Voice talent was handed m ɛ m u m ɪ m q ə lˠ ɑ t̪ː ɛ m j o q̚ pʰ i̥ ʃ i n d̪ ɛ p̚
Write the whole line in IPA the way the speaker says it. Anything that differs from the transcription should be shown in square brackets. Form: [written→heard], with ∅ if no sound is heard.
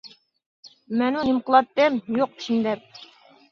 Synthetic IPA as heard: m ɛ [m→n] u [m→n] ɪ m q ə lˠ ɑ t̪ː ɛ m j o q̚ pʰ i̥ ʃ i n d̪ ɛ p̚